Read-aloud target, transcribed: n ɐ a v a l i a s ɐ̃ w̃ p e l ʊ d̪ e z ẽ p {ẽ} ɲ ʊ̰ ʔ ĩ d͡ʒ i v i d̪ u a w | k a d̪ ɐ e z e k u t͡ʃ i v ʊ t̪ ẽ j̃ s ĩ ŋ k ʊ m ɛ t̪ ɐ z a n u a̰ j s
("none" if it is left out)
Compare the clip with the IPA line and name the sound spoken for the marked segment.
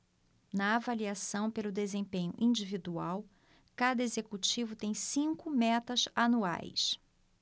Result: ẽ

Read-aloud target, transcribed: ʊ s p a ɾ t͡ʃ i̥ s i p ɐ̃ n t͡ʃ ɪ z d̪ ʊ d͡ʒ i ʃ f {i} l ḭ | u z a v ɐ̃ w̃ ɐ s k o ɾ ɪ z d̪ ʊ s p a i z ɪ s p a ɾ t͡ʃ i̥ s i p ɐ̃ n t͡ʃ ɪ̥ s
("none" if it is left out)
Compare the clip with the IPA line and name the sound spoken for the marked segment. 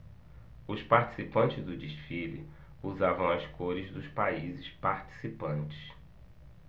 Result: i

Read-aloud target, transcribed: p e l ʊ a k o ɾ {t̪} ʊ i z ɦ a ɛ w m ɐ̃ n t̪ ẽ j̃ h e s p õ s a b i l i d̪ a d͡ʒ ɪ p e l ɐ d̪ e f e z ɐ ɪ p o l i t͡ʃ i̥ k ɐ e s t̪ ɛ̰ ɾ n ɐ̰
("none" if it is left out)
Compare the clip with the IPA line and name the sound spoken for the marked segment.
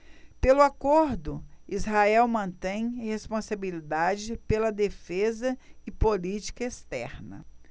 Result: d̪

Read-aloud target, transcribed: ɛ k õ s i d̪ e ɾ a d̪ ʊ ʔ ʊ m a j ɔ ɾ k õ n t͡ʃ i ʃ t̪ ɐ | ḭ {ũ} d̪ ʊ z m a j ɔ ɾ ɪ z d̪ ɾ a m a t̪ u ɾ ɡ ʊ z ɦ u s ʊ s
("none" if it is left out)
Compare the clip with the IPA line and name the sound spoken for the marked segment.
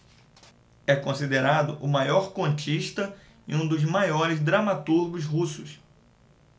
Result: ũ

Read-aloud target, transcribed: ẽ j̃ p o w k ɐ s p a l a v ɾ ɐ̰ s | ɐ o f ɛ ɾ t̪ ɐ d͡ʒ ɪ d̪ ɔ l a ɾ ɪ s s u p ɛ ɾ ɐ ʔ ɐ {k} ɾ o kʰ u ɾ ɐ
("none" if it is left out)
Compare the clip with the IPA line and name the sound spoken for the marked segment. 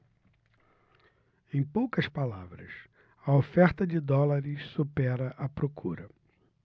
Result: p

